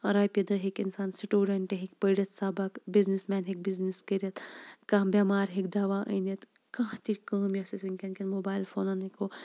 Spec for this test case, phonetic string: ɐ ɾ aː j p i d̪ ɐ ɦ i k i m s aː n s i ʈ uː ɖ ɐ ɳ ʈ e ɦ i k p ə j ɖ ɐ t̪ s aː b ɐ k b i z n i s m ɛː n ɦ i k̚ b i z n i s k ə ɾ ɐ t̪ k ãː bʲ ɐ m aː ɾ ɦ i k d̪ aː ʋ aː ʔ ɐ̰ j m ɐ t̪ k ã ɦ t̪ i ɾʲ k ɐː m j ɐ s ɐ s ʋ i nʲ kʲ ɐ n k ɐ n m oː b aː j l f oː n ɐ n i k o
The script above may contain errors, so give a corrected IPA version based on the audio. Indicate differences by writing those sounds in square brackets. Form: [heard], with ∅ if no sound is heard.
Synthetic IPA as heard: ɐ ɾ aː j p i d̪ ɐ ɦ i k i [n] s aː n s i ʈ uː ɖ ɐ ɳ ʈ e ɦ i k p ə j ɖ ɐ t̪ s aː b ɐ k b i z n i s m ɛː n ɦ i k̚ b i z n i s k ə ɾ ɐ t̪ k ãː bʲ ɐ m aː ɾ ɦ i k d̪ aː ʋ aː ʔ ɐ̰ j [n] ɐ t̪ k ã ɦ t̪ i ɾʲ k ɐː m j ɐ s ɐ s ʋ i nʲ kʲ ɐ n k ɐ n m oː b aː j l f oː n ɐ n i k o

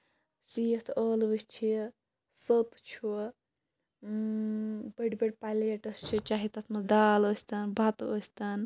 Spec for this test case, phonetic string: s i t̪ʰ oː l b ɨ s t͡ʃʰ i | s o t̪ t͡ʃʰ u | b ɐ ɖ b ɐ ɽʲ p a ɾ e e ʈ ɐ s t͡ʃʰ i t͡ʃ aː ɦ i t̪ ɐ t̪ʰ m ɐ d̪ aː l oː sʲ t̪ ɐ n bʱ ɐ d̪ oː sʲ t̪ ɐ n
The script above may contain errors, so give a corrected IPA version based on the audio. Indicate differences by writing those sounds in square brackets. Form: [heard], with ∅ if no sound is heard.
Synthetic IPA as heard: s i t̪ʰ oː l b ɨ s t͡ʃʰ i | s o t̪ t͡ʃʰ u | b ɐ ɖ b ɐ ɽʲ p a [l] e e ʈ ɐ s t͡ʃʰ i t͡ʃ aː ɦ i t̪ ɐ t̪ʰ m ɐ d̪ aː l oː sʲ t̪ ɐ n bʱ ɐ [t̪] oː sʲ t̪ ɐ n

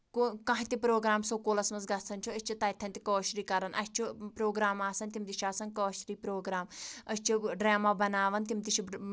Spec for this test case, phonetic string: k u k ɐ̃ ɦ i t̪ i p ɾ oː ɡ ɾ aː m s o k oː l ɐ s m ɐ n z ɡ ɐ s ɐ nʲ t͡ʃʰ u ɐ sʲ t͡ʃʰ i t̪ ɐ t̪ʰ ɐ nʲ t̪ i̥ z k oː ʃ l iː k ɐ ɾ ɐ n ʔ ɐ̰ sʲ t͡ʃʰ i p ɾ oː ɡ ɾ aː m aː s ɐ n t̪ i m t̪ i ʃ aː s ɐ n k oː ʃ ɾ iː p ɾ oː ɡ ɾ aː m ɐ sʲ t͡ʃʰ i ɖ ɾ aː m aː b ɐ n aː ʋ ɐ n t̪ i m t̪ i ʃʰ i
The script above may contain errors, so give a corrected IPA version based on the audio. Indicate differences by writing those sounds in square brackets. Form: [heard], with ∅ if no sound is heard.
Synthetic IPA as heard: k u k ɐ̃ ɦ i t̪ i p ɾ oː ɡ ɾ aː m s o k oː l ɐ s m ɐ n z ɡ ɐ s ɐ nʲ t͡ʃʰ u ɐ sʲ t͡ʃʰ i t̪ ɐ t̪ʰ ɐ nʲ t̪ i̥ [∅] k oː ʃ [ɾ] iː k ɐ ɾ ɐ n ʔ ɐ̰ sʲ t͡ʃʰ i p ɾ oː ɡ ɾ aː m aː s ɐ n t̪ i m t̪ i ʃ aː s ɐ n k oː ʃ ɾ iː p ɾ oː ɡ ɾ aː m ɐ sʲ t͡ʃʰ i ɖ ɾ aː m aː b ɐ n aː ʋ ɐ n t̪ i m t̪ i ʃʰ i

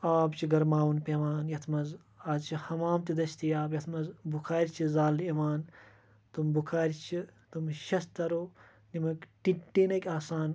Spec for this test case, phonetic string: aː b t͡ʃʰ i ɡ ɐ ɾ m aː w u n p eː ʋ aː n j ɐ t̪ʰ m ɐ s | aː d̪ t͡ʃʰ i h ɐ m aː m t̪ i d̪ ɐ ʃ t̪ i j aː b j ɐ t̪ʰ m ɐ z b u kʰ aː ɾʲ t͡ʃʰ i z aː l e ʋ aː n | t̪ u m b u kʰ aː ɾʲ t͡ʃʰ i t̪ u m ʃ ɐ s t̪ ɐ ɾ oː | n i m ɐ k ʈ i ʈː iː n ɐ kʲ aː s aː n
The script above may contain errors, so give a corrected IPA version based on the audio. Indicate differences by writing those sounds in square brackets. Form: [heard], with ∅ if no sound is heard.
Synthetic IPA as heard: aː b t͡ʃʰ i ɡ ɐ ɾ m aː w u n p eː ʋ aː n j ɐ t̪ʰ m ɐ [z] | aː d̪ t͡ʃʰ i h ɐ m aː m t̪ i d̪ ɐ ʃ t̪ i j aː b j ɐ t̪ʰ m ɐ z b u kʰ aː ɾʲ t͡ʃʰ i z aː l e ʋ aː n | t̪ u m b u kʰ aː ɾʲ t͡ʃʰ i t̪ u m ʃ ɐ s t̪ ɐ ɾ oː | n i m ɐ k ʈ i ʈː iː n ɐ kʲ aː s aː n

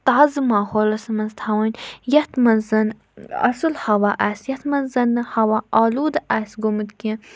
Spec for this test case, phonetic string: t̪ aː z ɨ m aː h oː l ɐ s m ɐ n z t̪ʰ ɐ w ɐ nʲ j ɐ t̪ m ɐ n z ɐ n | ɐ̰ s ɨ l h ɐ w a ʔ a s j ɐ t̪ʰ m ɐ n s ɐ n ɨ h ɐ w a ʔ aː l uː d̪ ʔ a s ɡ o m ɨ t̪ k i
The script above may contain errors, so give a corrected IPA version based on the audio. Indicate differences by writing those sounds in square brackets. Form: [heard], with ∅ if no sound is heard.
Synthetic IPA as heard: t̪ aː z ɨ m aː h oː l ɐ s m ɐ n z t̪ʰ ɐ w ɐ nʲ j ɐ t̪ m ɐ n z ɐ n | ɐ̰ s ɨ l h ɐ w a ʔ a s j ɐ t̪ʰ m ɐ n [z] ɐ n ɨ h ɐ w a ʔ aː l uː d̪ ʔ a s ɡ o m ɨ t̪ k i

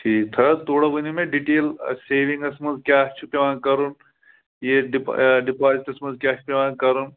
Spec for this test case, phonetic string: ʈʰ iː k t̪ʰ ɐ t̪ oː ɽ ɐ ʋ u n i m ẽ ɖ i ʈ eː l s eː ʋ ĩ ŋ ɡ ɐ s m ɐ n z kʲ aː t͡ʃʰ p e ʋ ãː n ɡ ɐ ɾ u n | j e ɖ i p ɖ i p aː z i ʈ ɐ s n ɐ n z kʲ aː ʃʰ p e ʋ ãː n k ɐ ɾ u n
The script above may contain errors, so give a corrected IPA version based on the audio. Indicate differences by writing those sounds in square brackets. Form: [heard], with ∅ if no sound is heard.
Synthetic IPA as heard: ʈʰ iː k t̪ʰ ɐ t̪ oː ɽ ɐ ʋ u n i m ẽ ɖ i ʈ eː l s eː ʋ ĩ ŋ ɡ ɐ s m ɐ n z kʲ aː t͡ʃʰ p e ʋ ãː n [k] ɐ ɾ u n | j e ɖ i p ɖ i p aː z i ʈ ɐ s [m] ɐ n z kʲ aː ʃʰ p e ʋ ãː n k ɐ ɾ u n

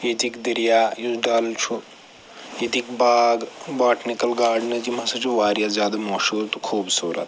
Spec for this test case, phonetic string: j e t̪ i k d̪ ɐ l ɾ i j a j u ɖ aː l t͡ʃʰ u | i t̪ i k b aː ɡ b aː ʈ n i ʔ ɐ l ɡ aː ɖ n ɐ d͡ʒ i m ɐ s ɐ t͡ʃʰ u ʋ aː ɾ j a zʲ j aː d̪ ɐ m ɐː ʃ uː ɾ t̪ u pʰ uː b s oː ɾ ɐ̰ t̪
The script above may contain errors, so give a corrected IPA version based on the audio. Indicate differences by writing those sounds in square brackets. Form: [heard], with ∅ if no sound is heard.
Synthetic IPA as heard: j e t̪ i k d̪ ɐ [∅] ɾ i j a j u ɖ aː l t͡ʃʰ u | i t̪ i k b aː ɡ b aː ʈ n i [k] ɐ l ɡ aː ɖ n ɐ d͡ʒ i m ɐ s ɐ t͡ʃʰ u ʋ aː ɾ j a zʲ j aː d̪ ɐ m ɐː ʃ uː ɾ t̪ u [kʰ] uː b s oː ɾ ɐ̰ t̪

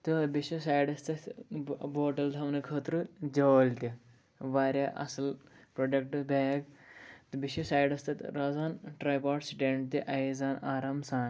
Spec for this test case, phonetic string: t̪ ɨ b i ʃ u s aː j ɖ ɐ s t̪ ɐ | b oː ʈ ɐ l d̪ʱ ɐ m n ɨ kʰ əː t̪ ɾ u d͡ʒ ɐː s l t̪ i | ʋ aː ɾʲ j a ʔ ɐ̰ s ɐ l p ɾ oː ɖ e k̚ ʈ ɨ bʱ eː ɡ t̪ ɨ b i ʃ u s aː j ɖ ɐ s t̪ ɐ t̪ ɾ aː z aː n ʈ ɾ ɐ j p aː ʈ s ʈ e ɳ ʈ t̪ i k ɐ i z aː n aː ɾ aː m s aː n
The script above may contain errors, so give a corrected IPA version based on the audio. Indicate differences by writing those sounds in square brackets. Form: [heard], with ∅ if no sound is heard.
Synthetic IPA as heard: t̪ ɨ b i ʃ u s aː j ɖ ɐ s t̪ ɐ | b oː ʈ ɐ l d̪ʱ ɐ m n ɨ kʰ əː t̪ ɾ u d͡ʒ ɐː [∅] l t̪ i | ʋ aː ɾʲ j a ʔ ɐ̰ s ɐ l p ɾ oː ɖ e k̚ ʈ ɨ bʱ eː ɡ t̪ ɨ b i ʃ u s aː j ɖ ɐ s t̪ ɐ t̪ ɾ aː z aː n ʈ ɾ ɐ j p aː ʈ s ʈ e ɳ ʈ t̪ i [ʔ] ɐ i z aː n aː ɾ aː m s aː n

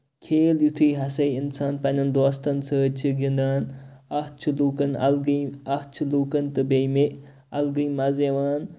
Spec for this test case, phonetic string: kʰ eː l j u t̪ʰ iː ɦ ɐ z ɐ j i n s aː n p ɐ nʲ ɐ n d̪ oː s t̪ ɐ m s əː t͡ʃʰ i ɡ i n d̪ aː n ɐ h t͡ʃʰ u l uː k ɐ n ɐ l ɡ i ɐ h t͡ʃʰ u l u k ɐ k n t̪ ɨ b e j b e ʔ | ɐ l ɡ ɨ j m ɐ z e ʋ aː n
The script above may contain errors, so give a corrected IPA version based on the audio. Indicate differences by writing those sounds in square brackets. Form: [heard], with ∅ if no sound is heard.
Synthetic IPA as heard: kʰ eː l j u t̪ʰ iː ɦ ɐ [s] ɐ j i n s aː n p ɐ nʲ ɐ n d̪ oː s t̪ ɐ [n] s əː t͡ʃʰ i ɡ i n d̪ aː n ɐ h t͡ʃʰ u l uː k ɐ n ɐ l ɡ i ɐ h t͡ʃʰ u l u k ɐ [∅] n t̪ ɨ b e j [m] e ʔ | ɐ l ɡ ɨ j m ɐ z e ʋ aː n

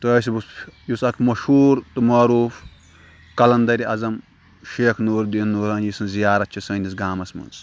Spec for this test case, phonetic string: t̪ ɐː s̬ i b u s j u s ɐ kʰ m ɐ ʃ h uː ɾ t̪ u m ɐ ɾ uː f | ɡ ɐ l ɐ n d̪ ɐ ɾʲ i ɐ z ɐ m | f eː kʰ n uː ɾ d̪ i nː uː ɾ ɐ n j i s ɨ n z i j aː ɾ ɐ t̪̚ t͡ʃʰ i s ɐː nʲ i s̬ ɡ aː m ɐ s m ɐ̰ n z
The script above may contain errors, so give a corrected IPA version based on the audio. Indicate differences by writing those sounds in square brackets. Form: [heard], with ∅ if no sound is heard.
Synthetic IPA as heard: t̪ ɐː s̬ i b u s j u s ɐ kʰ m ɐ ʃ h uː ɾ t̪ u m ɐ ɾ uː f | [k] ɐ l ɐ n d̪ ɐ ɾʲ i ɐ z ɐ m | [ʃ] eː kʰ n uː ɾ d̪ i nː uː ɾ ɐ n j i s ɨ n z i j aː ɾ ɐ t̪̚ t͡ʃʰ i s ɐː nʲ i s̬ ɡ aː m ɐ s m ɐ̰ n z

